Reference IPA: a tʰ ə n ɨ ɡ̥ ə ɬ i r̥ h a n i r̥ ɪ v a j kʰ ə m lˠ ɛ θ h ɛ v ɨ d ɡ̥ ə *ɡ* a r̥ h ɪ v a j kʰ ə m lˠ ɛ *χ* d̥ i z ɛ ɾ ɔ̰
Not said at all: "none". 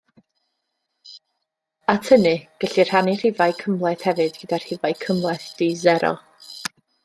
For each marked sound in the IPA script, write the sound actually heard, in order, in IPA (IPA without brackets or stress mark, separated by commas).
d, θ